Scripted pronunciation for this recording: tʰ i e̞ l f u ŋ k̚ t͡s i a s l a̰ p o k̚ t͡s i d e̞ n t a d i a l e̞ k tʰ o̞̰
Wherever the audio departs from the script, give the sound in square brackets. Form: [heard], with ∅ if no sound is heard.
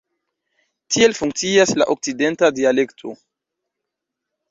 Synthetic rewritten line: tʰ i e̞ l f u ŋ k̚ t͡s i a s l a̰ [ʔ] o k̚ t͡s i d e̞ n t a d i a l e̞ k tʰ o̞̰